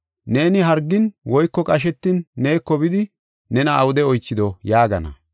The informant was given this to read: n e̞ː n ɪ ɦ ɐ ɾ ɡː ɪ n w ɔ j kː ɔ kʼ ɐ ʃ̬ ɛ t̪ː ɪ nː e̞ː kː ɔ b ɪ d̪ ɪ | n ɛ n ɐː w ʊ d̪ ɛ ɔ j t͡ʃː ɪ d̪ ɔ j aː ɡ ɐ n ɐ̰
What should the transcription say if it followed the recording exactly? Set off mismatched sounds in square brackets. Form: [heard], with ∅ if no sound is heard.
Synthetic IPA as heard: n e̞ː n ɪ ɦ ɐ ɾ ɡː ɪ n w ɔ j kː ɔ kʼ ɐ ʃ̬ ɛ t̪ː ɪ nː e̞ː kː ɔ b ɪ d̪ ɪ | n ɛ n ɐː w ʊ d̪ ɛ ɔ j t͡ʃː ɪ d̪ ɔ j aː ɡ ɐ n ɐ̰